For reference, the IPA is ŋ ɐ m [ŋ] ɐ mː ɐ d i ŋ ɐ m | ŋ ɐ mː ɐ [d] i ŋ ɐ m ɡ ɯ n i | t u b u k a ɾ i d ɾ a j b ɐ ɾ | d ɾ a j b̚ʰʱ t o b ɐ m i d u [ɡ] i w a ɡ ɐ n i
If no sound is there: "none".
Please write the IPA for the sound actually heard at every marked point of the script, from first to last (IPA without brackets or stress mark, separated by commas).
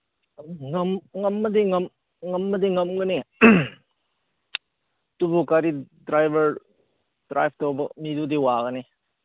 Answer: ŋ, d, d